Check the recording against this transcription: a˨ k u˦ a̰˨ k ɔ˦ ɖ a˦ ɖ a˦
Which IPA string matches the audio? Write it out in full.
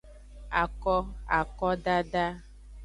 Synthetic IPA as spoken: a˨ k ɔ˦ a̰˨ k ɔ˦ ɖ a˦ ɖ a˦